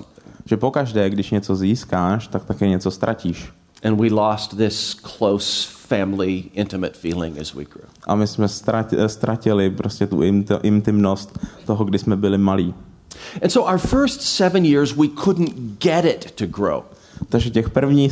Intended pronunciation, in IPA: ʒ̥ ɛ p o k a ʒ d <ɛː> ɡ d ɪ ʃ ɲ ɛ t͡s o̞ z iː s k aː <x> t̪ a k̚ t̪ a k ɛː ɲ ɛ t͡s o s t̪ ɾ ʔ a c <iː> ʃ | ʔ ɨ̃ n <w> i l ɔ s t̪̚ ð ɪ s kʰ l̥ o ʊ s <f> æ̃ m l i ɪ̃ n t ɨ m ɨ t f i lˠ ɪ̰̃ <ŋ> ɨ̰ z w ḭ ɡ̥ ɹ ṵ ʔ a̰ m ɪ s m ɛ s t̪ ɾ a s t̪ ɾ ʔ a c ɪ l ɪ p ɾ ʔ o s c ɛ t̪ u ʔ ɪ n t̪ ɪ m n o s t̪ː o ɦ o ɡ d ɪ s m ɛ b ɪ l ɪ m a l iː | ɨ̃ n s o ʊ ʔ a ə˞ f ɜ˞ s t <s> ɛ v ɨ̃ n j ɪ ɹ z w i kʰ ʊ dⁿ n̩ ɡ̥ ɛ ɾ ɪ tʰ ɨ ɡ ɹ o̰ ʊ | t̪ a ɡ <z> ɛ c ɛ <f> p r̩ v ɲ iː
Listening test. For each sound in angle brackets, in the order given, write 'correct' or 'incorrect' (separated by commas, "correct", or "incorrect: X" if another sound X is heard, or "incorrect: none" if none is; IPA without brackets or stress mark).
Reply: correct, incorrect: ʃ, correct, correct, correct, correct, correct, incorrect: ʒ, incorrect: x